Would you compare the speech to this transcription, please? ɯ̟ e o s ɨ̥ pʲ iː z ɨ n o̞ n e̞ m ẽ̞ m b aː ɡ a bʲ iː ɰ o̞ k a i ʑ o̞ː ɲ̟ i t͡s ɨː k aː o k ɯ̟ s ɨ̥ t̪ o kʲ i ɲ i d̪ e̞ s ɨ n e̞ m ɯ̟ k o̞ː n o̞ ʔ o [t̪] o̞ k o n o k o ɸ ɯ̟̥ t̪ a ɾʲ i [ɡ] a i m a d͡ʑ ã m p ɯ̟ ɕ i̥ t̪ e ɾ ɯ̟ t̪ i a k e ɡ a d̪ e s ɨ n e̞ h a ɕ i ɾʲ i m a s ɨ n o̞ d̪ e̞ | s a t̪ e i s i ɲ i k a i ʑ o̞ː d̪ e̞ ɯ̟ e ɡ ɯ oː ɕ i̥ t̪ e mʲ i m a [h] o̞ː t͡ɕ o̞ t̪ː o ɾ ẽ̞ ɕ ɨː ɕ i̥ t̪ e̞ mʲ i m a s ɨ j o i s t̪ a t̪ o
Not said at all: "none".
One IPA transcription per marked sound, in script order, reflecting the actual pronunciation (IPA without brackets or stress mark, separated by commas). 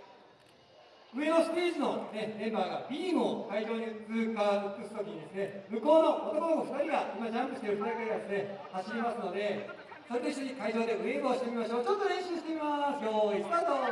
t̪, ɡ, ɕ